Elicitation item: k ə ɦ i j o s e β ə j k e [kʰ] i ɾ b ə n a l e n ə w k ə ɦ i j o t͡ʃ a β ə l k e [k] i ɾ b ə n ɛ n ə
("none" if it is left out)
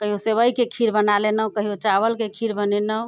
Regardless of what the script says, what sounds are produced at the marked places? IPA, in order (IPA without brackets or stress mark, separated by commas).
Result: kʰ, kʰ